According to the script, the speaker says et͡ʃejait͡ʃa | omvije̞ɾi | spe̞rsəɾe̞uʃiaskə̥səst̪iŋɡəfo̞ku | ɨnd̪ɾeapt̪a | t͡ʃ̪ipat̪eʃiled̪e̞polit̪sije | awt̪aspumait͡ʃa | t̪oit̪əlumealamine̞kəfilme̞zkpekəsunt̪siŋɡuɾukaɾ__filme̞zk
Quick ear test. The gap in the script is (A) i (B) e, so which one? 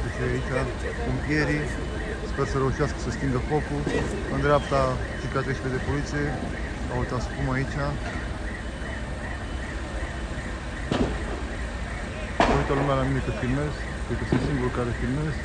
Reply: B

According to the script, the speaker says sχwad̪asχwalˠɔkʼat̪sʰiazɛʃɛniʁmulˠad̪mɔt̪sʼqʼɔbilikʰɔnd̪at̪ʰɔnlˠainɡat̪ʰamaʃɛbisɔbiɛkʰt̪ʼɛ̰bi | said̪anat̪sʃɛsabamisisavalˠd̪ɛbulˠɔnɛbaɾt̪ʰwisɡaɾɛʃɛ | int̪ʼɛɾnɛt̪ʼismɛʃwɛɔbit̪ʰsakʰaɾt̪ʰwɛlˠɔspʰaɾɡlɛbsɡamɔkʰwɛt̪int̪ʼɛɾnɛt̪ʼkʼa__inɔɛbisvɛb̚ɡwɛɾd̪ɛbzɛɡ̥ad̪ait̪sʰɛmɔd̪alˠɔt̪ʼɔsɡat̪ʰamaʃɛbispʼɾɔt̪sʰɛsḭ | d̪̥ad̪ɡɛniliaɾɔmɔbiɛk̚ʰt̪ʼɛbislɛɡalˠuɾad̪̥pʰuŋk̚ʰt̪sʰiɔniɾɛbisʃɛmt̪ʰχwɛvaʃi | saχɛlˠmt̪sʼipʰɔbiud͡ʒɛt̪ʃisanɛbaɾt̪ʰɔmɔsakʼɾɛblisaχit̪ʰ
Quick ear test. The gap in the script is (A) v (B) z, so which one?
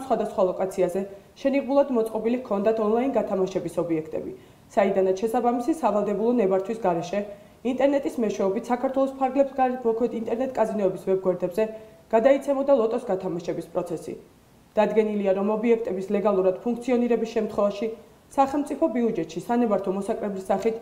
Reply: B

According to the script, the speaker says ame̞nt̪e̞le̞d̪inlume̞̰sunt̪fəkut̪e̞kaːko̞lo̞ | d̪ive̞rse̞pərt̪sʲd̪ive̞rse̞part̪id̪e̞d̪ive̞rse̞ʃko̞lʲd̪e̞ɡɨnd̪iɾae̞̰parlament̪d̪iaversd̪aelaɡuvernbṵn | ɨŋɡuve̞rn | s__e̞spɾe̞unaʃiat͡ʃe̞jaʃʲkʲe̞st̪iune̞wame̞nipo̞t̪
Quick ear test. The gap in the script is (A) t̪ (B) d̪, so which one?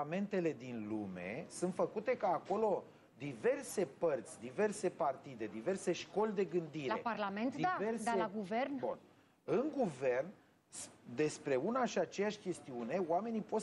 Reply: B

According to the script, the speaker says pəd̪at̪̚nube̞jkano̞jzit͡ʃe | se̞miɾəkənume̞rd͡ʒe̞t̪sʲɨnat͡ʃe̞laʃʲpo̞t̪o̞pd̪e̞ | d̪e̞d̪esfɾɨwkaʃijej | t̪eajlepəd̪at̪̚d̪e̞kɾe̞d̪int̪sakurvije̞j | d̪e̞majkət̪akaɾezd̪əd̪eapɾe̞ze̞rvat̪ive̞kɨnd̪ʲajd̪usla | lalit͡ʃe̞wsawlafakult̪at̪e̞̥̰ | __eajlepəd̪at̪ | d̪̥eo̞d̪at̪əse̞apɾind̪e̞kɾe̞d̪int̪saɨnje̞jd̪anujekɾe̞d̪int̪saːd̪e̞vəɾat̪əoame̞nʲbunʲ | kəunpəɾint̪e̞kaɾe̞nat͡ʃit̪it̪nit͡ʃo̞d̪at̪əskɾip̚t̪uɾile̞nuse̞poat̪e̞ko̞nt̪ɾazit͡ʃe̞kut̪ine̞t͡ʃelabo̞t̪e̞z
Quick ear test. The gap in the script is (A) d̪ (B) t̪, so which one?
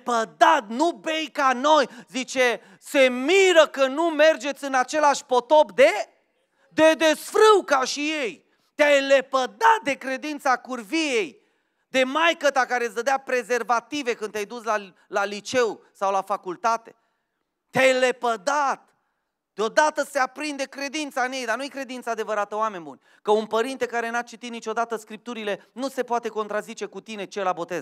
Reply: B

